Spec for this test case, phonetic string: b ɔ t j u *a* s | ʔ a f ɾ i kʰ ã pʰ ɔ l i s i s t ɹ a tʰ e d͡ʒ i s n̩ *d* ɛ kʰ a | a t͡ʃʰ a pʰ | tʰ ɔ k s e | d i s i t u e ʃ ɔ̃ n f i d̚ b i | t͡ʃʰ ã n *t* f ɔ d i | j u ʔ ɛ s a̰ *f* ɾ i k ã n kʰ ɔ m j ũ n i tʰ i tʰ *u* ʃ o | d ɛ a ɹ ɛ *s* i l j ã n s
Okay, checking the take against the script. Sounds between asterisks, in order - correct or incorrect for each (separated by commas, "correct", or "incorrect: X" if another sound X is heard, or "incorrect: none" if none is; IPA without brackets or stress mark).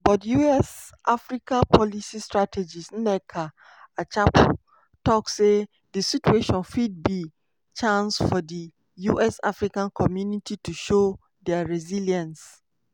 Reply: incorrect: ɛ, incorrect: n, incorrect: s, correct, correct, incorrect: z